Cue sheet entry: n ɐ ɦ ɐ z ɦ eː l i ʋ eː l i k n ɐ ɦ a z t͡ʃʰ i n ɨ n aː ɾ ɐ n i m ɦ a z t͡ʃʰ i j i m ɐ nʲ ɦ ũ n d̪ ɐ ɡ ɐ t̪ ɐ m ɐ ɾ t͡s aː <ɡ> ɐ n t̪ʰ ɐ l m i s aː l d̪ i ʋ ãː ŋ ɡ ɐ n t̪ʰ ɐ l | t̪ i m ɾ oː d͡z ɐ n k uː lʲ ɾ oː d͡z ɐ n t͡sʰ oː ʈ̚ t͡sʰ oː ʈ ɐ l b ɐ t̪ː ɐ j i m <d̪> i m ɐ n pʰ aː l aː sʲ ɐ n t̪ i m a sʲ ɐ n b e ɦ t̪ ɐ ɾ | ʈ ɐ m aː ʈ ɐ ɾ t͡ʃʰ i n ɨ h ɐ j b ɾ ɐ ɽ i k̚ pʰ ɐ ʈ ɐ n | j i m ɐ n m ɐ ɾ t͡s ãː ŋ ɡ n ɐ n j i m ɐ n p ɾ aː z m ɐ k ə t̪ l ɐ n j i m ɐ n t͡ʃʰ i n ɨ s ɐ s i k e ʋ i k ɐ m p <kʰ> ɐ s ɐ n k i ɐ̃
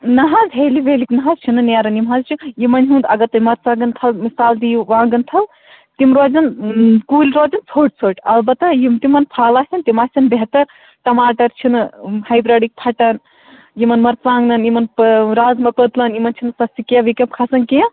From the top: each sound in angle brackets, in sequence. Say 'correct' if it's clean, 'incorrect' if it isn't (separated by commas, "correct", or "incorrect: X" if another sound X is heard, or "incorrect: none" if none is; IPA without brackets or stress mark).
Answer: correct, incorrect: t̪, correct